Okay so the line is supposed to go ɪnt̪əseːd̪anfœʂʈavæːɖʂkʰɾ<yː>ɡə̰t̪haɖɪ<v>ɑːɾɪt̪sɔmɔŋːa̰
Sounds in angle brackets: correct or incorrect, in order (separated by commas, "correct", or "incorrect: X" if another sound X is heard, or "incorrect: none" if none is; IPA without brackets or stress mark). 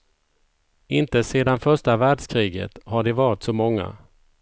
incorrect: iː, correct